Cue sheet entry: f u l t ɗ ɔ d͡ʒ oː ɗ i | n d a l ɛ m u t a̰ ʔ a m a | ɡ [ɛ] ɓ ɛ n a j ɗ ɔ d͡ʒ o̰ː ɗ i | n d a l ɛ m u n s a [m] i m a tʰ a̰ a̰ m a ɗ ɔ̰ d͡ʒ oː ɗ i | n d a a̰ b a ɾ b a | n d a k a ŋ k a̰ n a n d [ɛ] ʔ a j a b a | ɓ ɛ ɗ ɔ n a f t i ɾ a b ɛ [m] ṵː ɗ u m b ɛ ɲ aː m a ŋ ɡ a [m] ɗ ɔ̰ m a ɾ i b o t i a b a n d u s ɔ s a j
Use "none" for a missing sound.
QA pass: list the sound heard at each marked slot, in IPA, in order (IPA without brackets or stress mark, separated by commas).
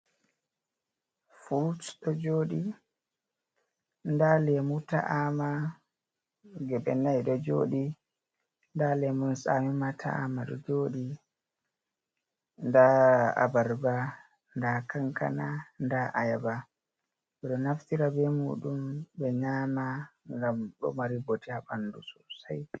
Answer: ɛ, m, a, m, m